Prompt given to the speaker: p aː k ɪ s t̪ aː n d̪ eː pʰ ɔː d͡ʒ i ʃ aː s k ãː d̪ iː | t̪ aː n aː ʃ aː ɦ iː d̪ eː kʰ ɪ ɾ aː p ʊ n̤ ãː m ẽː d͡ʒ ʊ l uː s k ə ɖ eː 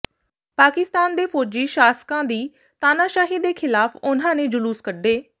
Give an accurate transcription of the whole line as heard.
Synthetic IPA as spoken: p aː k ɪ s t̪ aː n d̪ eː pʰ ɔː d͡ʒ iː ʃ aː s k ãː d̪ iː | t̪ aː n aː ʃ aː ɦ iː d̪ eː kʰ ɪ l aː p ʊ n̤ ãː n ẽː d͡ʒ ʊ l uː s k ə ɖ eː